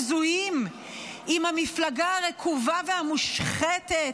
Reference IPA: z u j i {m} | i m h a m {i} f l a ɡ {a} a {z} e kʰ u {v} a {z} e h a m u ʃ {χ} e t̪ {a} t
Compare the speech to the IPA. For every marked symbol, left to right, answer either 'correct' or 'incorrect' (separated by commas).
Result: correct, correct, correct, incorrect, correct, incorrect, correct, incorrect